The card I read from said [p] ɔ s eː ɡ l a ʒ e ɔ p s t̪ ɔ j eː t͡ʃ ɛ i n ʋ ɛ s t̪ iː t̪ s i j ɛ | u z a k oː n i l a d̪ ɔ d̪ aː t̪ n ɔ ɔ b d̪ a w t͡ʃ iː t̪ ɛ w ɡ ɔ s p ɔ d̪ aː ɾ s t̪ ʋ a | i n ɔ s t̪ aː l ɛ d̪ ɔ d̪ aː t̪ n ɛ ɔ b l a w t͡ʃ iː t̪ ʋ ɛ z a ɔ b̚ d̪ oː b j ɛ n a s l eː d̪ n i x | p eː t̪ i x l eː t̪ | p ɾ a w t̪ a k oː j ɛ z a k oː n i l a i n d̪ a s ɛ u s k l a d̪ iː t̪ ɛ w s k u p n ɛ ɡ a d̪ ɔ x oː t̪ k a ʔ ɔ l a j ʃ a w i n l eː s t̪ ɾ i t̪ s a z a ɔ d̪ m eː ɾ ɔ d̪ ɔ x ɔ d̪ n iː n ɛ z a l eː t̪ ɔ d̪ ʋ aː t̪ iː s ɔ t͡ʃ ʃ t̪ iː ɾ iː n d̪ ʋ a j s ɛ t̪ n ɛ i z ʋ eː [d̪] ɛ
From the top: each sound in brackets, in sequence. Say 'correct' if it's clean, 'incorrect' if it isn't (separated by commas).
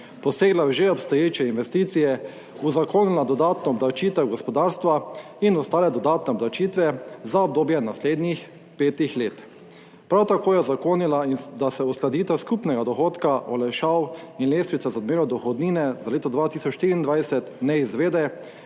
correct, correct